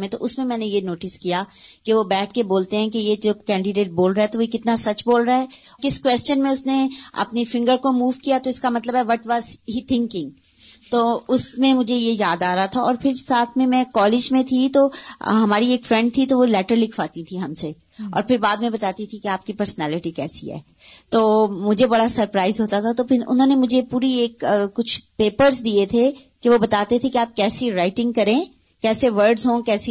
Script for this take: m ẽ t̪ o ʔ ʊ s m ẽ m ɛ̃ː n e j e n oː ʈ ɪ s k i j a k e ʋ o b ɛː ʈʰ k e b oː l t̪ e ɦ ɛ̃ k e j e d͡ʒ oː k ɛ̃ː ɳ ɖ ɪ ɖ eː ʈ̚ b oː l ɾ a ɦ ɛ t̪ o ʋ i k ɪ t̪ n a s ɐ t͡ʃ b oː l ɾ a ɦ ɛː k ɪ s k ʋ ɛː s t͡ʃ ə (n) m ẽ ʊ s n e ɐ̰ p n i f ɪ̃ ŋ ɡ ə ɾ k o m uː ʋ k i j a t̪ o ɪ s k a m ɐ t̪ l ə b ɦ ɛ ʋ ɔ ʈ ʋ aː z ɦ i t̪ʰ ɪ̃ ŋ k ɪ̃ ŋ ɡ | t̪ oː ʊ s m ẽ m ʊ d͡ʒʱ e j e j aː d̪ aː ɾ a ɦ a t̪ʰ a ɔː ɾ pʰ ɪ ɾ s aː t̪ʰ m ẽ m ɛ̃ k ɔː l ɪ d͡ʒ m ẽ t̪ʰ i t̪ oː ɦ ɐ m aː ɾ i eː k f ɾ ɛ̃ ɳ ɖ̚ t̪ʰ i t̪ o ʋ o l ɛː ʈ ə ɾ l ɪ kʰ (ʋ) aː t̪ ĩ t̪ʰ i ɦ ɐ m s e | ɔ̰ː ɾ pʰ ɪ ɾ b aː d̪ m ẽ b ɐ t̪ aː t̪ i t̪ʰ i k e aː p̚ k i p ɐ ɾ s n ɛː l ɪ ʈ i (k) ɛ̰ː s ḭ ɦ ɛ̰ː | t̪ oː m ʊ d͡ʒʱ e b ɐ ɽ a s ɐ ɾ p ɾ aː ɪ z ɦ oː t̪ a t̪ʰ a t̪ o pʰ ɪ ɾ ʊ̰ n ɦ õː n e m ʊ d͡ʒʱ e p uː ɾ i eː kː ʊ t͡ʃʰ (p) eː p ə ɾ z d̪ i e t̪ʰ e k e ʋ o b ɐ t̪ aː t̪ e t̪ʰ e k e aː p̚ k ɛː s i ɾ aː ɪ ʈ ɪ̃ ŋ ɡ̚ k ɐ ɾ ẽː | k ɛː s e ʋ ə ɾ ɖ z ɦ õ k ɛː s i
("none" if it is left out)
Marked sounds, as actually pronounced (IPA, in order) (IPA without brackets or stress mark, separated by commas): n, ʋ, k, p